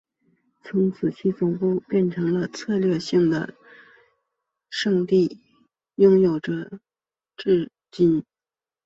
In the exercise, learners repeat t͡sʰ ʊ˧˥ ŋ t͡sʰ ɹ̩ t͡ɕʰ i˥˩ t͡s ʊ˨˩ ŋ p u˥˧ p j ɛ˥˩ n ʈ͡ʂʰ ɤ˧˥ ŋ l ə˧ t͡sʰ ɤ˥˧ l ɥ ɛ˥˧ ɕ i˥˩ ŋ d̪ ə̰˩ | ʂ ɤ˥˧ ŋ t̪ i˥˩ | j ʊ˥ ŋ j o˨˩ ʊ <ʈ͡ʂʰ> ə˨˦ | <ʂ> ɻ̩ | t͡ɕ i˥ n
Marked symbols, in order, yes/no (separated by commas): no, no